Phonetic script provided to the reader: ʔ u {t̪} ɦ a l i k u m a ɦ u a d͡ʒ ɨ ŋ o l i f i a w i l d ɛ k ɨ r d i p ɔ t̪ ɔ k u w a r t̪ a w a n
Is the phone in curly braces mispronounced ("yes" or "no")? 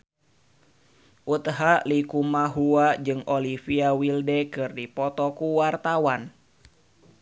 no